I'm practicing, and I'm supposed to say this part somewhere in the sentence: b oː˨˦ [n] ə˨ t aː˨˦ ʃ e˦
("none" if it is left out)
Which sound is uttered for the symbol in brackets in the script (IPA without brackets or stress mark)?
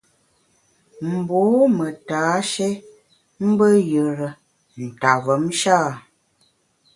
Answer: m